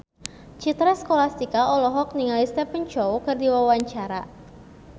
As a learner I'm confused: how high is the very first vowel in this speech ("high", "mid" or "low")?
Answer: high